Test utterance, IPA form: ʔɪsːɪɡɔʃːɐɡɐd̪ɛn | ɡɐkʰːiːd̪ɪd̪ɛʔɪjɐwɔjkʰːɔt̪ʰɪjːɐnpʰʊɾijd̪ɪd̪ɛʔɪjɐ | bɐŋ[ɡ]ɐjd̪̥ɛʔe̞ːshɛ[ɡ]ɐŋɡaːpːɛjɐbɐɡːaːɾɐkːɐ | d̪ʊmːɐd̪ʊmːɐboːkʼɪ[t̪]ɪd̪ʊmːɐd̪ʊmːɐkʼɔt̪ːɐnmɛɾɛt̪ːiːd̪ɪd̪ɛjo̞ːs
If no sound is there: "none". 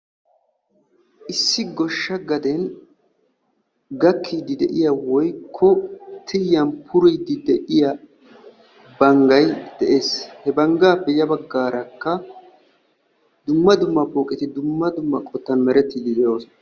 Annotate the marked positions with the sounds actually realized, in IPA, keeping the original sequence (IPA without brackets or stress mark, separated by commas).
ɡ, b, t̪